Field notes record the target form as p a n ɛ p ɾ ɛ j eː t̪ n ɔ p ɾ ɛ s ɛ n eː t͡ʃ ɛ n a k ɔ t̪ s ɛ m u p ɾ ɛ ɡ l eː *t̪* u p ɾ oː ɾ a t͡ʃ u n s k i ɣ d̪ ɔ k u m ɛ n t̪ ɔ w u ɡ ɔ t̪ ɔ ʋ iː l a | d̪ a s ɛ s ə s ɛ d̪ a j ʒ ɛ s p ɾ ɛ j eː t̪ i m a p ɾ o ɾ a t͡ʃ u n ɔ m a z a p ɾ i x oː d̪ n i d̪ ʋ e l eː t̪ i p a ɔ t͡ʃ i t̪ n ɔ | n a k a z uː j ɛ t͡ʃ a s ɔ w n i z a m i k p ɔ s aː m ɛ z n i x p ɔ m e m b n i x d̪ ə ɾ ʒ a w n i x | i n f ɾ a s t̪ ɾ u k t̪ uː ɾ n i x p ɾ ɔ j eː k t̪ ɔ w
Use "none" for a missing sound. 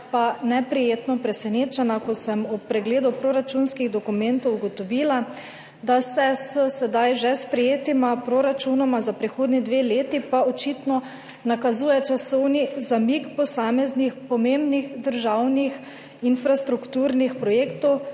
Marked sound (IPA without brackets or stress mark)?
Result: d̪